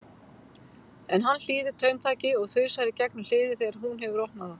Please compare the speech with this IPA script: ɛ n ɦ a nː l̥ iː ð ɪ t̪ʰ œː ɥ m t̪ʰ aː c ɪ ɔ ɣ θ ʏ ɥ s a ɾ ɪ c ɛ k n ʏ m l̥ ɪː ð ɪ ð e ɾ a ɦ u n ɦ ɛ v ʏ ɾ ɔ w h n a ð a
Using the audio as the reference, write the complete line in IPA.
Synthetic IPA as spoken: ɛ n ɦ a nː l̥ iː ð ɪ t̪ʰ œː ɥ m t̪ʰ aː c ɪ ɔ ɣ θ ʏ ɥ s a ɾ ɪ c ɛ k n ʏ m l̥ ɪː ð ɪ θ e ɾ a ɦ u n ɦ ɛ v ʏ ɾ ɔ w h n a ð a